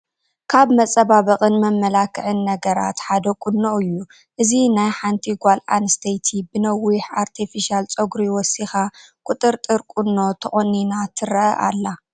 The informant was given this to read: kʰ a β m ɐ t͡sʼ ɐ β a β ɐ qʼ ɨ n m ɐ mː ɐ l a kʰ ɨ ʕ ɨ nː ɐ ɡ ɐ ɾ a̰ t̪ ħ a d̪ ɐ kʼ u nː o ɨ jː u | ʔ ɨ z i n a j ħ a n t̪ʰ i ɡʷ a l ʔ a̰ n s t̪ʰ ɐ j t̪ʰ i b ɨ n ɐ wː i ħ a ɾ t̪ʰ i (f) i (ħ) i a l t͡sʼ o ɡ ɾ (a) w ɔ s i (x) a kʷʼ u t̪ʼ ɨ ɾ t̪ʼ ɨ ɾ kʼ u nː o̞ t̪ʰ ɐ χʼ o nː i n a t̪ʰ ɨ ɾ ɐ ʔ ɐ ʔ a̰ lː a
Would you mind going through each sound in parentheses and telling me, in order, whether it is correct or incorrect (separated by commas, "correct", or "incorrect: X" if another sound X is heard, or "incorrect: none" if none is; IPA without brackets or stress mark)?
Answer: correct, incorrect: ʃ, incorrect: i, correct